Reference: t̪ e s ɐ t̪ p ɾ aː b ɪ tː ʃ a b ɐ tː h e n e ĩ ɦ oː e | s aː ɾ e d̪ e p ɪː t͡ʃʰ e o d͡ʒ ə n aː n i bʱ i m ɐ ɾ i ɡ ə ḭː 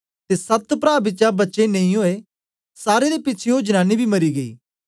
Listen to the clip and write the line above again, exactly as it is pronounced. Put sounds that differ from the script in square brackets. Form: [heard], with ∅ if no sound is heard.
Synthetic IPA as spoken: t̪ e s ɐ t̪ p ɾ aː b ɪ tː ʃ a b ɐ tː [ʃ] e n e ĩ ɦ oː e | s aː ɾ e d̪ e p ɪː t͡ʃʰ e o d͡ʒ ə n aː n i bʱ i m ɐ ɾ i ɡ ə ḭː